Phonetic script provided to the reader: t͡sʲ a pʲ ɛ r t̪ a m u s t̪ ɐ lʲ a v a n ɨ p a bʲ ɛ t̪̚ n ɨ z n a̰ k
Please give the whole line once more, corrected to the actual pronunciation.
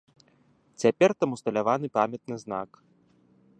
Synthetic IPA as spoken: t͡sʲ a pʲ ɛ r t̪ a m u s t̪ ɐ lʲ a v a n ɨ p a mʲ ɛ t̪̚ n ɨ z n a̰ k